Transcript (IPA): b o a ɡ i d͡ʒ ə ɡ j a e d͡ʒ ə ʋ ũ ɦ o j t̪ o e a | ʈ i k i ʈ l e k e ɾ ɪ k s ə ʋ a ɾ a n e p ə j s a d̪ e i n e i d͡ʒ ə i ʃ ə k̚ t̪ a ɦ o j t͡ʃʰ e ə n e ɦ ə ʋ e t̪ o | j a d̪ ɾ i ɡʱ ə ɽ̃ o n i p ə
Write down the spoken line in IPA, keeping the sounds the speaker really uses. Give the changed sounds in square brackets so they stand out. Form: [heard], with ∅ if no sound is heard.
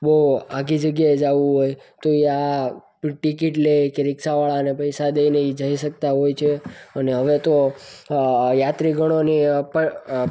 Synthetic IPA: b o a ɡ i d͡ʒ ə ɡ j a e d͡ʒ [a] ʋ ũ ɦ o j t̪ o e a | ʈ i k i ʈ l e k e ɾ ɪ k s [a] ʋ a [ɭ] a n e p ə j s a d̪ e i n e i d͡ʒ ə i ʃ ə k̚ t̪ a ɦ o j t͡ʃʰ e ə n e ɦ ə ʋ e t̪ o | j a [t̪] ɾ i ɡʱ ə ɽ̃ o n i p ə

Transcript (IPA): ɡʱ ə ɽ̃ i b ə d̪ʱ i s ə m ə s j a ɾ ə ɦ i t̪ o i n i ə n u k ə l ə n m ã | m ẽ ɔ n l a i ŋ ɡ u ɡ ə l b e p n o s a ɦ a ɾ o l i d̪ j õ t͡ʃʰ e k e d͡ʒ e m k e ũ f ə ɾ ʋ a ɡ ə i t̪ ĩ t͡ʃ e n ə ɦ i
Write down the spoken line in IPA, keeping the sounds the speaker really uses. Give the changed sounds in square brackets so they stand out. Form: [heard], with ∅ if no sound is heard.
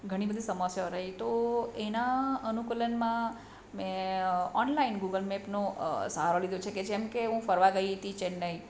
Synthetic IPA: ɡʱ ə ɽ̃ i b ə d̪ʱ i s ə m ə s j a ɾ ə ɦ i t̪ o [e] n [a] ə n u k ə l ə n m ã | m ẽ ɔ n l a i [n] ɡ u ɡ ə l [m] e p n o s a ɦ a ɾ o l i d̪ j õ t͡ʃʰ e k e d͡ʒ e m k e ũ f ə ɾ ʋ a ɡ ə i t̪ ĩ t͡ʃ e n ə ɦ i

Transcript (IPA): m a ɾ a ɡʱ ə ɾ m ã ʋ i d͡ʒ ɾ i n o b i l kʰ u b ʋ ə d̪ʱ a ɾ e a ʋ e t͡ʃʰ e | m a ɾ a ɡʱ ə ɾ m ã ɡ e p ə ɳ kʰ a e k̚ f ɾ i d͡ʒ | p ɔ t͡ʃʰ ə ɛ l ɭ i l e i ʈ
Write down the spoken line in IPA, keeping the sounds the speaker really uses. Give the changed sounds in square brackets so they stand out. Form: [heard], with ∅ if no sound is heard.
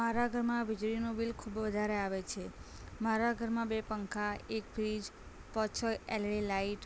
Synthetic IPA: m a ɾ a ɡʱ ə ɾ m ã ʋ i d͡ʒ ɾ i n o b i l kʰ u b ʋ ə d̪ʱ a ɾ e a ʋ e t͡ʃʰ e | m a ɾ a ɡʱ ə ɾ m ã [b] e p ə [ŋ] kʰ a e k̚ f ɾ i d͡ʒ | p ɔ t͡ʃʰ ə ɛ l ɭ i l [a] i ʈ

